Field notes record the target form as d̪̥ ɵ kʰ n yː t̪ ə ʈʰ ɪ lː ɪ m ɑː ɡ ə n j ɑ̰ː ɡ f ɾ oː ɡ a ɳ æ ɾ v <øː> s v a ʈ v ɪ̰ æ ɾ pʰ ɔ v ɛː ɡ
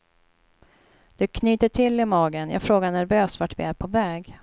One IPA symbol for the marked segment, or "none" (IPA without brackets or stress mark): øː